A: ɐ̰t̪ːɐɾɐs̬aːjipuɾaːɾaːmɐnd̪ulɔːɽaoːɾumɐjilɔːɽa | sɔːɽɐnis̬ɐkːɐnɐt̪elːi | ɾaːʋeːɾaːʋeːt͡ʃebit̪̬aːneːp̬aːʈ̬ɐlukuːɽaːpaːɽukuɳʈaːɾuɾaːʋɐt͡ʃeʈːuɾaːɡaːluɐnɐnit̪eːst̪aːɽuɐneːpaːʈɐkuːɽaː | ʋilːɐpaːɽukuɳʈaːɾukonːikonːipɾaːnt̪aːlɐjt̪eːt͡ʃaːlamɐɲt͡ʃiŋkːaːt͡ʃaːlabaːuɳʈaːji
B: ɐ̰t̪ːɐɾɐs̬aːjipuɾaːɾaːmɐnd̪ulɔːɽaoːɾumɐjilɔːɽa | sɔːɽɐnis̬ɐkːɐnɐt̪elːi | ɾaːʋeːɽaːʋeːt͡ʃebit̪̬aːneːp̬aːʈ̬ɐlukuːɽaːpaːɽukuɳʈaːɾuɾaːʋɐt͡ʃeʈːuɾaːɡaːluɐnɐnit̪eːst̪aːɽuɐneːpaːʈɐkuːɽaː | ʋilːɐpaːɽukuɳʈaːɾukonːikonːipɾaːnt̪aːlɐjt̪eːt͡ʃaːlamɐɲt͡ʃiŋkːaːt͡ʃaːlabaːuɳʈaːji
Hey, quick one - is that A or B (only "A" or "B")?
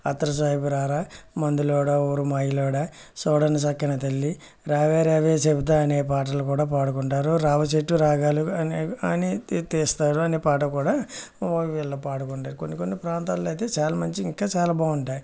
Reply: A